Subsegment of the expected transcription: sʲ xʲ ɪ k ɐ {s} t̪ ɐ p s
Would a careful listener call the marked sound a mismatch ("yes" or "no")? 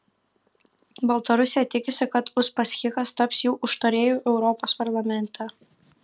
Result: no